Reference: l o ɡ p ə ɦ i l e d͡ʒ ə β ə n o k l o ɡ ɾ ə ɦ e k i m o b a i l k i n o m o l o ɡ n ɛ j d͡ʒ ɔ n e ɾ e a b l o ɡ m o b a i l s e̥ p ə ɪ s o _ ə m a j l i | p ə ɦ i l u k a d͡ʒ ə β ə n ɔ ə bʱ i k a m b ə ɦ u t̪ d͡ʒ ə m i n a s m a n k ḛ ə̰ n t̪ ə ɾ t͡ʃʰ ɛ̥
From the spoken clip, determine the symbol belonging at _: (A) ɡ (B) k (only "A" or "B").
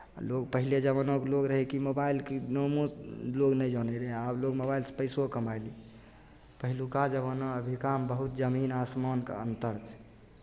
B